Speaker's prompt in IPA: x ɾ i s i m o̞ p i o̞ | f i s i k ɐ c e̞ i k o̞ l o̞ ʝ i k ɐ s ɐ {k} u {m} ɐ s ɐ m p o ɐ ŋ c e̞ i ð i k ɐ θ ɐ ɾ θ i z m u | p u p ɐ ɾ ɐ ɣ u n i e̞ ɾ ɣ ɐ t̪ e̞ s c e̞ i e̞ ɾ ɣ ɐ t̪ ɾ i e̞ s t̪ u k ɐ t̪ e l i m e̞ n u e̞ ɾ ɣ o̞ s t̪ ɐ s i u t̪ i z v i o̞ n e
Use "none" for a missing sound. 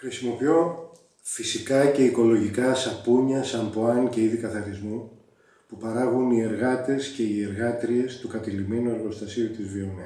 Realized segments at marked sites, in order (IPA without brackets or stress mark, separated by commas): p, ɲ